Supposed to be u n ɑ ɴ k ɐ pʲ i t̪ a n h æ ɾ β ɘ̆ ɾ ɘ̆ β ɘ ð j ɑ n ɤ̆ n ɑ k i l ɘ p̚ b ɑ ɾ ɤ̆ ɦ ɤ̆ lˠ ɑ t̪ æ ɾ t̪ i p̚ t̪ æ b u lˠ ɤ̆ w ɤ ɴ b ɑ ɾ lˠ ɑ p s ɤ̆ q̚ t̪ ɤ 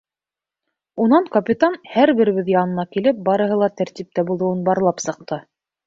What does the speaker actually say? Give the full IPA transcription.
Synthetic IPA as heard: u n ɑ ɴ k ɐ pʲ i t̪ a n h æ ɾ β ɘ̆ ɾ ɘ̆ β ɘ ð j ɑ n ɤ̆ n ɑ k i l ɘ p̚ b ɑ ɾ ɤ̆ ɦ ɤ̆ lˠ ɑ t̪ æ ɾ t̪ i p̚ t̪ æ b u lˠ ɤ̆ w ɤ n b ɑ ɾ lˠ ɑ p s ɤ̆ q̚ t̪ ɤ